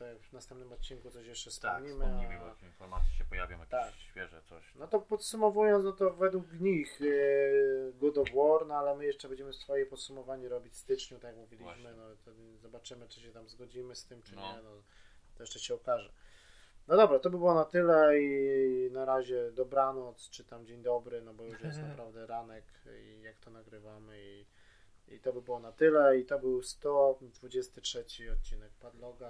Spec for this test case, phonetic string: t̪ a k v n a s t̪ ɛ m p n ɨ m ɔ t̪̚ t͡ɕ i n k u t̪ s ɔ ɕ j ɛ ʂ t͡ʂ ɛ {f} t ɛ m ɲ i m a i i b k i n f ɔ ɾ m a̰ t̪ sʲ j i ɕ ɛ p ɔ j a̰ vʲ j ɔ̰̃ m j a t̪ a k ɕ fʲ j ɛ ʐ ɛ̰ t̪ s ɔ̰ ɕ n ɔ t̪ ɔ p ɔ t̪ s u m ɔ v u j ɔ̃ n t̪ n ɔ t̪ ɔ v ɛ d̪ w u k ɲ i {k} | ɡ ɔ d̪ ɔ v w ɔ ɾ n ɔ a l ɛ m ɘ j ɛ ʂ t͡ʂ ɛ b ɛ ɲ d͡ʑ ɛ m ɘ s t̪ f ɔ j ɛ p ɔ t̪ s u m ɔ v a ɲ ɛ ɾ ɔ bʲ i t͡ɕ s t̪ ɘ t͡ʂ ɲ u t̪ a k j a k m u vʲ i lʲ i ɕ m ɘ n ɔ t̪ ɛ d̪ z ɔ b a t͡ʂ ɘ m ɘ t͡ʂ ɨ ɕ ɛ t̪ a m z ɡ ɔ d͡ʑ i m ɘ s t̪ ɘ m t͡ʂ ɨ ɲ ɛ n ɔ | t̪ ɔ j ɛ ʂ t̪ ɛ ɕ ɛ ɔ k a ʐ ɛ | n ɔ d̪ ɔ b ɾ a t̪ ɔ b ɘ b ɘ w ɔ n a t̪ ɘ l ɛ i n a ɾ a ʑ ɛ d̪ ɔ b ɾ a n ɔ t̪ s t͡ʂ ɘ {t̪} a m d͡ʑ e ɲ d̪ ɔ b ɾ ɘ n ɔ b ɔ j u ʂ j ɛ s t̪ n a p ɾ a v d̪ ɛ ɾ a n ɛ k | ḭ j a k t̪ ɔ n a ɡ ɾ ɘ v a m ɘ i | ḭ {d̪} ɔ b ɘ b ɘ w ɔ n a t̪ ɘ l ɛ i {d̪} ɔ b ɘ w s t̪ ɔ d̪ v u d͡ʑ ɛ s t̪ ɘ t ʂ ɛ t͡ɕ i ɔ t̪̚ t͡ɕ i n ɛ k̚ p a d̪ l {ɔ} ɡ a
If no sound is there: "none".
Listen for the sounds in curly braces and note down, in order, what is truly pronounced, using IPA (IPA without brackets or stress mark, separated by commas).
s, x, t̪, t̪, t̪, ɔ